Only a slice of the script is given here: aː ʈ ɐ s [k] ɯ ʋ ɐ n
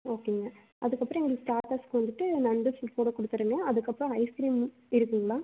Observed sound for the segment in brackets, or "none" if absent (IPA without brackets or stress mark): k